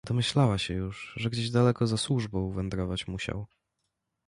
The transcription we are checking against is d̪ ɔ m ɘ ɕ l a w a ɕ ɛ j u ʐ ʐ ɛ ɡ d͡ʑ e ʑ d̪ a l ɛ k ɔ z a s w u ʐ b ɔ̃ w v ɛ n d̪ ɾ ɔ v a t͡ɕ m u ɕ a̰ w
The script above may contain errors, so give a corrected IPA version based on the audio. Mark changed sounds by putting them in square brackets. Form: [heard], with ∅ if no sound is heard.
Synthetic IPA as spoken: d̪ ɔ m ɘ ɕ l a w a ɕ ɛ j u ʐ ʐ ɛ ɡ d͡ʑ e ʑ d̪ a l ɛ k ɔ z a s w u ʐ b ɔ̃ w v ɛ n d̪ ɾ ɔ v a t͡ɕ m u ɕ a̰ w